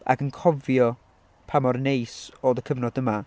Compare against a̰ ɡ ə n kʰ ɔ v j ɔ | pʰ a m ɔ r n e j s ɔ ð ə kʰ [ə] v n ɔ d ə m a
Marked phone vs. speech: correct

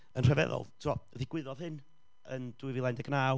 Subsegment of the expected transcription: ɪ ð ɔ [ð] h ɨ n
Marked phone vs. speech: correct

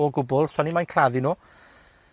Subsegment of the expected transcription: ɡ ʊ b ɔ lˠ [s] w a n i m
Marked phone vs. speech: correct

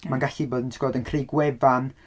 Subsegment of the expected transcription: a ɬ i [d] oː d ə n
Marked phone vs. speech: incorrect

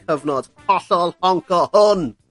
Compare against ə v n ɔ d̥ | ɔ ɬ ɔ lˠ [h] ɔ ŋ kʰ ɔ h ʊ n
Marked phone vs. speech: correct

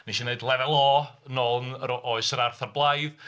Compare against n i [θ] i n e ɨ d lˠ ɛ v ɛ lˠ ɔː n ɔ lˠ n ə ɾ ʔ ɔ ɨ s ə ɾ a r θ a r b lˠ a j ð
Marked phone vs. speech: incorrect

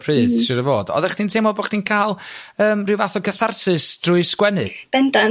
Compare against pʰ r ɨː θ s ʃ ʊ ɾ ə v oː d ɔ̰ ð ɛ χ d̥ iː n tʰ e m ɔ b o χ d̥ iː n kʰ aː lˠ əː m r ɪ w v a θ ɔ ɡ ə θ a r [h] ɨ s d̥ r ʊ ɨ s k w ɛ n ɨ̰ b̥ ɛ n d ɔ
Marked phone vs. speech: incorrect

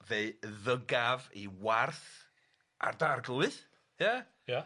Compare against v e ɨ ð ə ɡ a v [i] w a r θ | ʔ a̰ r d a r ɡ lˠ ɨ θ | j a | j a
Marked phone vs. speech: correct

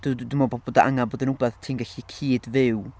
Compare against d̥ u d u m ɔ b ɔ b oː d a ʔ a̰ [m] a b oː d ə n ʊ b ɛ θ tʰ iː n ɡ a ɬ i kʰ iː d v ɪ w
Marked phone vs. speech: incorrect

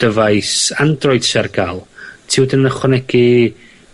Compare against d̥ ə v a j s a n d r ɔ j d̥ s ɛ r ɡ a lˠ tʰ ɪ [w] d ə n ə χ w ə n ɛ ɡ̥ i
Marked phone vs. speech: correct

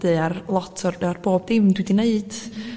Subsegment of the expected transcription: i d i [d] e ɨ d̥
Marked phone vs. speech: incorrect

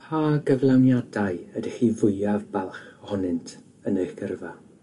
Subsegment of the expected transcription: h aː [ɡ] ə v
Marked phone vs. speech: correct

